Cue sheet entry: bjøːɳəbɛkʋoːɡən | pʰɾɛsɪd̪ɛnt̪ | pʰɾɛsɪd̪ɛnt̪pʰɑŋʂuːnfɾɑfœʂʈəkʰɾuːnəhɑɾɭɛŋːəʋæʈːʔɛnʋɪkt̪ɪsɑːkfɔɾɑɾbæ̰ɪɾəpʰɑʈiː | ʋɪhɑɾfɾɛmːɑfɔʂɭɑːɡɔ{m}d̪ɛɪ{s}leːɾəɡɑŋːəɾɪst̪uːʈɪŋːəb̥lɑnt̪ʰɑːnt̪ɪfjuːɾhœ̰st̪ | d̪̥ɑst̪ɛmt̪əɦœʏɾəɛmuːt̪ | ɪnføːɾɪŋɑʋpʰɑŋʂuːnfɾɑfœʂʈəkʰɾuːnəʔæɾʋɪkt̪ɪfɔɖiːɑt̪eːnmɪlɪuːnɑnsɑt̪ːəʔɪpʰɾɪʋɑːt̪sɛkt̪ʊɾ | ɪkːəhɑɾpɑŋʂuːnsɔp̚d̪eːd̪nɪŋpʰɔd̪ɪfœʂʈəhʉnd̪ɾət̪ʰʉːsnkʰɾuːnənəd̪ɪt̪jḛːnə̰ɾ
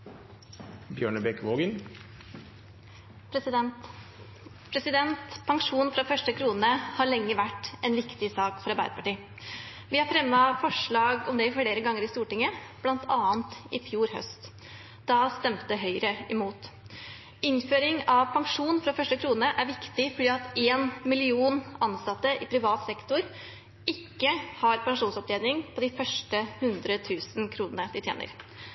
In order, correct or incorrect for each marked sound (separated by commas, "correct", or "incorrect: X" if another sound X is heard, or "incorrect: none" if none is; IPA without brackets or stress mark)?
correct, incorrect: f